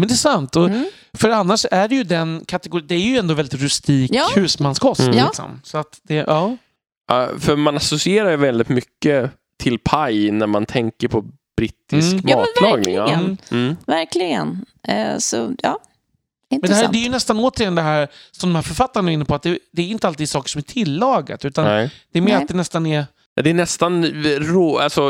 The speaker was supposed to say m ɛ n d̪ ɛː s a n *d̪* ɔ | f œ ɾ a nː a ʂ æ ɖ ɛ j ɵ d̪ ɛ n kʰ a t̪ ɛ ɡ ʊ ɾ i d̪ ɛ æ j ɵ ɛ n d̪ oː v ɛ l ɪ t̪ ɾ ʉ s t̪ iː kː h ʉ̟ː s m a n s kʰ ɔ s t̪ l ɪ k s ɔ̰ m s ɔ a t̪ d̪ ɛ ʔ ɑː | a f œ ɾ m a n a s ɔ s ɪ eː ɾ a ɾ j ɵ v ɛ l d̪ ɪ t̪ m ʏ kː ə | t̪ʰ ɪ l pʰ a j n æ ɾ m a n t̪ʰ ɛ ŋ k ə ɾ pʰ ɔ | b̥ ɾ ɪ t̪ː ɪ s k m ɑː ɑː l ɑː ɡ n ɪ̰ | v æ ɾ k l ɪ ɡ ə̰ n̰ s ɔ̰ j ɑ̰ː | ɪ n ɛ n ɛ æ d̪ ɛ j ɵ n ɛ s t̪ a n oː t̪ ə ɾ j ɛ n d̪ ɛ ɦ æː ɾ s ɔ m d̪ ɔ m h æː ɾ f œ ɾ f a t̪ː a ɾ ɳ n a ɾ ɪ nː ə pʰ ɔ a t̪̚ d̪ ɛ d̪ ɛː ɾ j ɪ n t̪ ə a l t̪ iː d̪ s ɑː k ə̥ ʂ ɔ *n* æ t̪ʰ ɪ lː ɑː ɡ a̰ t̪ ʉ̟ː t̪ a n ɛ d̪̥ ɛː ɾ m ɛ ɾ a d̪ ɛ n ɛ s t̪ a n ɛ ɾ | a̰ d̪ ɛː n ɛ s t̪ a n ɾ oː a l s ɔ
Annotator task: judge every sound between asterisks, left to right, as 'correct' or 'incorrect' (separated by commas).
incorrect, incorrect